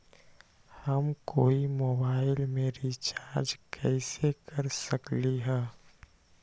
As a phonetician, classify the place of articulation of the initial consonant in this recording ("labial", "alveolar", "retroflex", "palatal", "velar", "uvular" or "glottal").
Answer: glottal